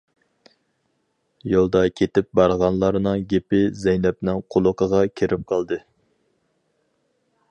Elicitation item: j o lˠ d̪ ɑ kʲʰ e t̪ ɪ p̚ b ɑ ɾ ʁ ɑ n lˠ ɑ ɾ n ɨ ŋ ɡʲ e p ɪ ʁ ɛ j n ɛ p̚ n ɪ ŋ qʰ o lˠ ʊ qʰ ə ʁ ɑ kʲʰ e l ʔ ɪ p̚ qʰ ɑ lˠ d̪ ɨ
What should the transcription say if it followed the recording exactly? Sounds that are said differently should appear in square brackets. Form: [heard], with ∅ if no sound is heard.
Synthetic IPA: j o lˠ d̪ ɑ kʲʰ e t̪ ɪ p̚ b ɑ ɾ ʁ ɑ n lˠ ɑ ɾ n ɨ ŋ ɡʲ e p ɪ [z] ɛ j n ɛ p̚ n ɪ ŋ qʰ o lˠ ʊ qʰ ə ʁ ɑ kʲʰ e [ɾ] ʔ ɪ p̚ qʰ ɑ lˠ d̪ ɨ